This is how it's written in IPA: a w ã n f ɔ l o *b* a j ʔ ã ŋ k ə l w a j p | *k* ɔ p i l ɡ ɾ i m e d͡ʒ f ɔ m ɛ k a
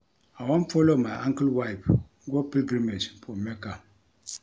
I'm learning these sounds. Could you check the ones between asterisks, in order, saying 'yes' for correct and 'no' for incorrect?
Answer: no, no

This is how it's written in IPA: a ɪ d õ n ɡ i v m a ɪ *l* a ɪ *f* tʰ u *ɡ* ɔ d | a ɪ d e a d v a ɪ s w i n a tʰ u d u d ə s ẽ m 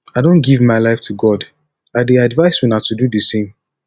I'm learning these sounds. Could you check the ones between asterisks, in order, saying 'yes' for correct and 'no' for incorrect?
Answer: yes, yes, yes

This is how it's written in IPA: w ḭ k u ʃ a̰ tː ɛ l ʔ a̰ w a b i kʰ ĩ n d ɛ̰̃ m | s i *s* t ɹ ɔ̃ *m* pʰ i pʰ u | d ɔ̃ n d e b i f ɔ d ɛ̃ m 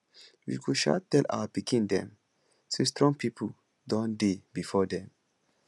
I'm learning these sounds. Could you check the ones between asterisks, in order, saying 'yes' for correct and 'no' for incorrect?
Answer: yes, no

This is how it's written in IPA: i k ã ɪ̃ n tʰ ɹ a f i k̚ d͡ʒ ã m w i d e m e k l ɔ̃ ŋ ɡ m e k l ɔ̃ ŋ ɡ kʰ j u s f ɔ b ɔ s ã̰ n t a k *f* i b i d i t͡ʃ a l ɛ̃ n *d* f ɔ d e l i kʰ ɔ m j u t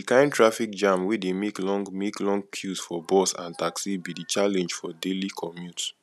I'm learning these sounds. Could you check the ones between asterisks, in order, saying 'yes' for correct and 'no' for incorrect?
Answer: no, no

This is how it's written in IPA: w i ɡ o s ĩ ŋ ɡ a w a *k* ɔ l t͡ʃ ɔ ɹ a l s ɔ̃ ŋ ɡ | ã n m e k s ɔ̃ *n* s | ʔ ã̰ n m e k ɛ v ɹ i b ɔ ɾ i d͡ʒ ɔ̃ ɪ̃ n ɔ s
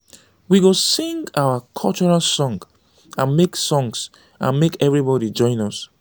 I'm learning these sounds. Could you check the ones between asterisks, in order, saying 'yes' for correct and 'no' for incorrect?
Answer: no, no

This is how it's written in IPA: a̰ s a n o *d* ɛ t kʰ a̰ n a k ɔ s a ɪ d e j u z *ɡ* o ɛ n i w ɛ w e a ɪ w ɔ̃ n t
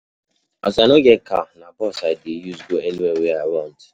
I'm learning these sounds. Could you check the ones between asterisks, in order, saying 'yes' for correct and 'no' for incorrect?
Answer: no, yes

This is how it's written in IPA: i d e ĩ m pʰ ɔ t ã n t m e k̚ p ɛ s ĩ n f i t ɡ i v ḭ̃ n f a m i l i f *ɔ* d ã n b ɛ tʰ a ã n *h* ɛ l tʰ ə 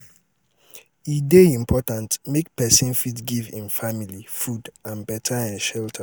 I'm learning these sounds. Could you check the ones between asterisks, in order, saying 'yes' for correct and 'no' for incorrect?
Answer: no, no

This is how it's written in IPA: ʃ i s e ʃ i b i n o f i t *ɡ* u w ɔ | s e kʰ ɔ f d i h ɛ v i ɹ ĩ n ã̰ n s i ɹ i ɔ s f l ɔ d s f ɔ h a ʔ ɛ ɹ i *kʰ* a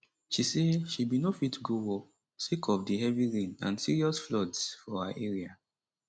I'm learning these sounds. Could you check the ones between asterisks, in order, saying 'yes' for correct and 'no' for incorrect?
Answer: yes, no

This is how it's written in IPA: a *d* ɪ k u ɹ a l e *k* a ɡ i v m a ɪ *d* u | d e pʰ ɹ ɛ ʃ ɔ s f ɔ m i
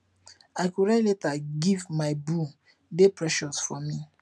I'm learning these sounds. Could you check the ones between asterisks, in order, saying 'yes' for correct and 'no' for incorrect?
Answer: no, no, no

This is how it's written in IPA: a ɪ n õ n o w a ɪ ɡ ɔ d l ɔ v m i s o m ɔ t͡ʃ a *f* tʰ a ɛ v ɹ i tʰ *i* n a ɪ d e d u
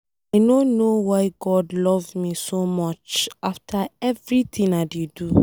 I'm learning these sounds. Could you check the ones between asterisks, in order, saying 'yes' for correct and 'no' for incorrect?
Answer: yes, no

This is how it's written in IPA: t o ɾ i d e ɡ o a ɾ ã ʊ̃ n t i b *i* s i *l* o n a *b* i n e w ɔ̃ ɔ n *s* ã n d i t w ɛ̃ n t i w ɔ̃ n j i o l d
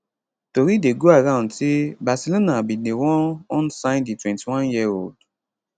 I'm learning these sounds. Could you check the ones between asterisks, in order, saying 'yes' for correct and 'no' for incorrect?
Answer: no, yes, yes, yes

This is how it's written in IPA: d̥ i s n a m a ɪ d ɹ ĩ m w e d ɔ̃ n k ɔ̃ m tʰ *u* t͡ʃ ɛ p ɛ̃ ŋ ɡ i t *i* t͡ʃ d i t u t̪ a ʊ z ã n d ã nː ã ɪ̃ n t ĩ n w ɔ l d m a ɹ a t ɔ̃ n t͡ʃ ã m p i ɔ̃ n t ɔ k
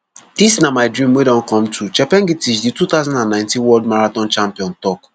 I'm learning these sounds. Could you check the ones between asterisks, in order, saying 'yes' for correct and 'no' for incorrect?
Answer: yes, yes

